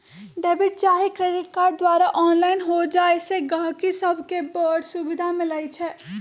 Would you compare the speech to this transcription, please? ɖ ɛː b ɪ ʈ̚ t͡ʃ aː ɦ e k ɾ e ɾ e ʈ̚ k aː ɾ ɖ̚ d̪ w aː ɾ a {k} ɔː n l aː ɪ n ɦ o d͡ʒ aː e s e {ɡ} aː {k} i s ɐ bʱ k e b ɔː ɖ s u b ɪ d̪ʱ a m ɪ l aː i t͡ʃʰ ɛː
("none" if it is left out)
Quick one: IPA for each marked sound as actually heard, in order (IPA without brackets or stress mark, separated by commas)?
ʔ, ɡ, k